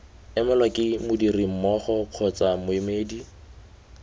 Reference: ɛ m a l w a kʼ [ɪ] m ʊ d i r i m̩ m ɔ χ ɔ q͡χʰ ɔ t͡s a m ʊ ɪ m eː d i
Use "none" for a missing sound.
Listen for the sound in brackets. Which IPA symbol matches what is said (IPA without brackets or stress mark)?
ɪ